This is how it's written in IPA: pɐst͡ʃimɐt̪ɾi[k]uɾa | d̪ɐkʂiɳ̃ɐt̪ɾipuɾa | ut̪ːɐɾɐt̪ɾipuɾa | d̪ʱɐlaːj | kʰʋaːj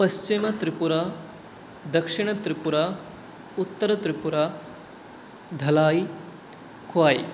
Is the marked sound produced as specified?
no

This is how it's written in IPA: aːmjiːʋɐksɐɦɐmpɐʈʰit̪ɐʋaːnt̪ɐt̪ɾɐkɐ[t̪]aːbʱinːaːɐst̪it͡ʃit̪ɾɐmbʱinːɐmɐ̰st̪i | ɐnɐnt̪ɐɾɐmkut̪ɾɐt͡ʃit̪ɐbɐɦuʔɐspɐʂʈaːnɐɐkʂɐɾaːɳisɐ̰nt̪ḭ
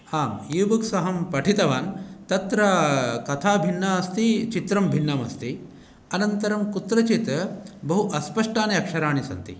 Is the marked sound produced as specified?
no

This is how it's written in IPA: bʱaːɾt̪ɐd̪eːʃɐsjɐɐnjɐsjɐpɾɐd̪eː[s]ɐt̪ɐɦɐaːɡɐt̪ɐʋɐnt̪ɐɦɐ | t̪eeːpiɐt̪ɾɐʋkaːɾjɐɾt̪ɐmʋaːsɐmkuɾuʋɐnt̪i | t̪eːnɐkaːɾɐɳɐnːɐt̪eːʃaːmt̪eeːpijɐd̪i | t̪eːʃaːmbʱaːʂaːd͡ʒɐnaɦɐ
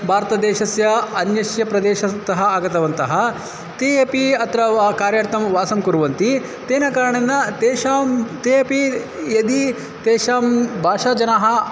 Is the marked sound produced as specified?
no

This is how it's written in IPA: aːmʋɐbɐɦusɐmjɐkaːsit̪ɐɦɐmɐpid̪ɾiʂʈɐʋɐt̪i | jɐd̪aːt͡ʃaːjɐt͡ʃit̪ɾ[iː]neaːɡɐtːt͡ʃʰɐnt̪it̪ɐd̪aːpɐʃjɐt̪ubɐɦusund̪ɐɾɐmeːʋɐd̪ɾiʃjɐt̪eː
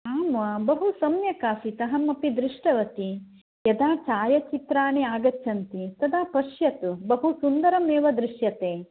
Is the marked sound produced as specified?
no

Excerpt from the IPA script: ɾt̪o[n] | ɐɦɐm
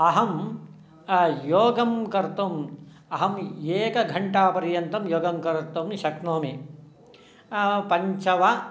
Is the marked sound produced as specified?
no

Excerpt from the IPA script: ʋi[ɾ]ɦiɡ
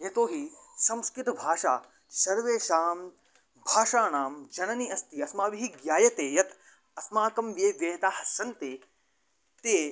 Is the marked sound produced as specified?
no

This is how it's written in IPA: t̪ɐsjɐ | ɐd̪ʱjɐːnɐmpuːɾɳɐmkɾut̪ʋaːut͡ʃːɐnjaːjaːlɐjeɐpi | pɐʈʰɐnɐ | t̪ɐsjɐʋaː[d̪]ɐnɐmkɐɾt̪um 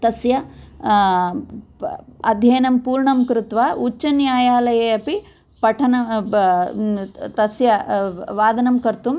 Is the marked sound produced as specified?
yes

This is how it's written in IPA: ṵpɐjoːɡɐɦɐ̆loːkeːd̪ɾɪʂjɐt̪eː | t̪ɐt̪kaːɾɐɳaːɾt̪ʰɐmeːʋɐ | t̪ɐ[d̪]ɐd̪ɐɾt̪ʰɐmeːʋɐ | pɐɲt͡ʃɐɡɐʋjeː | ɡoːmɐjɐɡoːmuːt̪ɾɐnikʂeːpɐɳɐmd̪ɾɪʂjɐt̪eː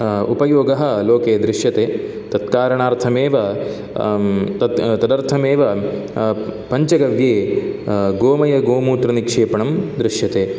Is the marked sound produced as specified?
no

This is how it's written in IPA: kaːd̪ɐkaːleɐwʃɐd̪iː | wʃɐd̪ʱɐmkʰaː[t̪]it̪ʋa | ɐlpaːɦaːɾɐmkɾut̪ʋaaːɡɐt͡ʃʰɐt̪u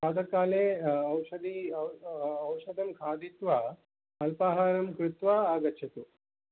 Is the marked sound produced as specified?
no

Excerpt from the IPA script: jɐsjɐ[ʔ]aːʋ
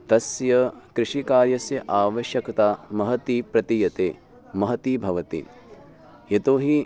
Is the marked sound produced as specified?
yes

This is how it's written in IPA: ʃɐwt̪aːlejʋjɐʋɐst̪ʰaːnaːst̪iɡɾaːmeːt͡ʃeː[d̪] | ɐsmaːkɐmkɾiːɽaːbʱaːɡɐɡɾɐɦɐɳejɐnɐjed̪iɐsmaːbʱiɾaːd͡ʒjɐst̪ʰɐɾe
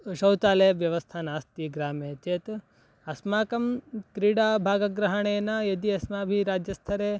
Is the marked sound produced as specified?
no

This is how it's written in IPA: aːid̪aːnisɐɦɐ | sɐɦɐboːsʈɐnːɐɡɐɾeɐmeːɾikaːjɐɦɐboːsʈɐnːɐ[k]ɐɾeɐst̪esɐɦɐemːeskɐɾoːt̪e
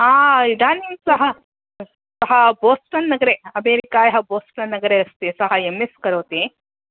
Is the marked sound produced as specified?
no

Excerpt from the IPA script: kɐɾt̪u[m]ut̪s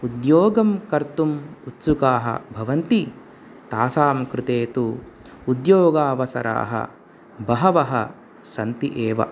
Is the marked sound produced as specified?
yes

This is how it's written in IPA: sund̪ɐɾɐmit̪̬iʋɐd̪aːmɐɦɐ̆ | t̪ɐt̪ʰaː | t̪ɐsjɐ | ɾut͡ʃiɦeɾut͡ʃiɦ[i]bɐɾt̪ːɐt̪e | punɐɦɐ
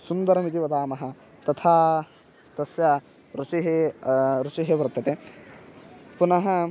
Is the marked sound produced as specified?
no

